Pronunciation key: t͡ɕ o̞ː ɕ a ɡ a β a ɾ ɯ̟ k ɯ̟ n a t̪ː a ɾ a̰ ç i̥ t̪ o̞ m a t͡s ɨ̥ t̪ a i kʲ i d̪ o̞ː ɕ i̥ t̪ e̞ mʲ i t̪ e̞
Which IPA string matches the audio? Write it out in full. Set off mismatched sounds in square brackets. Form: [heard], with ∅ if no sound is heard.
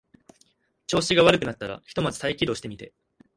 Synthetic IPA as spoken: t͡ɕ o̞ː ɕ [i] ɡ a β a ɾ ɯ̟ k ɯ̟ n a t̪ː a ɾ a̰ ç i̥ t̪ o̞ m a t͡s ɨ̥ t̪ a i kʲ i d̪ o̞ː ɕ i̥ t̪ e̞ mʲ i t̪ e̞